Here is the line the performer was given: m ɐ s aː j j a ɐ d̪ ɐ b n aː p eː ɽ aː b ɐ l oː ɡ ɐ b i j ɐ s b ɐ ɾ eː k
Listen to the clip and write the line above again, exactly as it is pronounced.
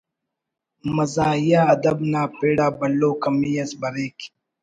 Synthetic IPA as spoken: m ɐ z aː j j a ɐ d̪ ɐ b n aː p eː ɽ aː b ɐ l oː k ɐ m i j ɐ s b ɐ ɾ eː k

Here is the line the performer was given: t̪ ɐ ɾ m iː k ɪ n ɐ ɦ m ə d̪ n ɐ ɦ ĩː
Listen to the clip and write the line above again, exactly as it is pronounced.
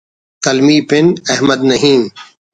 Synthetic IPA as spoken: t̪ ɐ l m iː p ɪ n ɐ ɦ m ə d̪ n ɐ ɦ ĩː

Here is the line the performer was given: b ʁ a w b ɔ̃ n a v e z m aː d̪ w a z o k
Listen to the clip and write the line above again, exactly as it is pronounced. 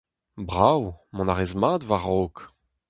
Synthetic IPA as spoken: b ʁ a w m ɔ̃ n a ʁ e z m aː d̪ v a ʁ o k

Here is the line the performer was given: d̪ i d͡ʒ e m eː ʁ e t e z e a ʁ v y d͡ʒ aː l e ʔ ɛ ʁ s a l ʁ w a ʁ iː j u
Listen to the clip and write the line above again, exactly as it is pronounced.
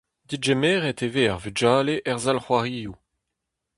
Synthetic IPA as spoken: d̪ i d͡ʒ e m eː ʁ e t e v e a ʁ v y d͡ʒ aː l e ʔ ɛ ʁ z a l χ w a ʁ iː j u

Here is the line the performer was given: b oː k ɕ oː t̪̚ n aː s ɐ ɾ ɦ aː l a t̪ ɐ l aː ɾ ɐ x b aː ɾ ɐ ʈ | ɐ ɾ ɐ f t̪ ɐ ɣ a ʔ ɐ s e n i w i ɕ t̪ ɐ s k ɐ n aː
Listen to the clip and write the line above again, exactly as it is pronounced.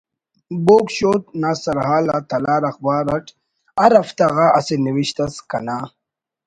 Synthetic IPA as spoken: b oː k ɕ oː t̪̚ n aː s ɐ ɾ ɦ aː l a t̪ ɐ l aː ɾ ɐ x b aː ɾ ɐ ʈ | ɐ ɾ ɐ f t̪ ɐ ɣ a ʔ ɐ s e n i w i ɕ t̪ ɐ s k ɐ n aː

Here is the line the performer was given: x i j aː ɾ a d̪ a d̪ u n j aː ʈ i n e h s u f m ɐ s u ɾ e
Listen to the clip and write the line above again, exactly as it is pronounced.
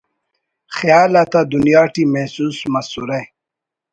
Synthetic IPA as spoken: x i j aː l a t̪ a d̪ u n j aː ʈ i m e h s u s m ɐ s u ɾ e

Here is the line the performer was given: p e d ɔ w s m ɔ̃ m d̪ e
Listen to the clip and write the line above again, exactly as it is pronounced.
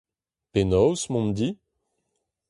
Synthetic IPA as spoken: p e n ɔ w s m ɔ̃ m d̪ i

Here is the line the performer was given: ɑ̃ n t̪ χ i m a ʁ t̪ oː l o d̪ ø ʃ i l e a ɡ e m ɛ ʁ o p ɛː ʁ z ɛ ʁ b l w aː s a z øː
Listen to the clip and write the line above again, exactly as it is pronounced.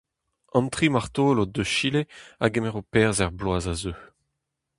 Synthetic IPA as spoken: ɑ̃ n t̪ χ i m a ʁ t̪ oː l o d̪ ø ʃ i l e a ɡ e m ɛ ʁ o p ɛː ʁ z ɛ ʁ b l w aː z a z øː

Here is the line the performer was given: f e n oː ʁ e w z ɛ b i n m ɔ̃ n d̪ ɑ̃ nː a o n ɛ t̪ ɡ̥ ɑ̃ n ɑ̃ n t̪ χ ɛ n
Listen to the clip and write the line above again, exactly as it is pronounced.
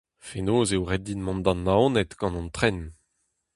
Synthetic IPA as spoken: f e n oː z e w ʁ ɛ d i n m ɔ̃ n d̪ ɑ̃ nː a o n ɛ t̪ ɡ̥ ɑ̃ n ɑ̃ n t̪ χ ɛ n

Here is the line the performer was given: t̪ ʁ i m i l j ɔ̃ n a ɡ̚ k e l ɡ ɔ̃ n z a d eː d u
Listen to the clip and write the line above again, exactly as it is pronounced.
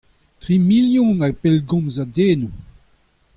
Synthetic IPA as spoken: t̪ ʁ i m i l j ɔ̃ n a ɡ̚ p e l ɡ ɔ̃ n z a d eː n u

